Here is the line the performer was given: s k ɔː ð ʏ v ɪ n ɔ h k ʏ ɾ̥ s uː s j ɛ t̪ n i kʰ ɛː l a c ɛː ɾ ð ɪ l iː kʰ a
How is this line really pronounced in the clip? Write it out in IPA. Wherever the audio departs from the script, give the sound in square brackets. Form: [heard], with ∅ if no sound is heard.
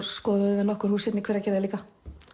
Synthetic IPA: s k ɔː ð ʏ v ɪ n ɔ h k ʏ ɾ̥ [h] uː s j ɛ t̪ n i kʰ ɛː [ɾ] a c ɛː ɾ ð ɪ l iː [k] a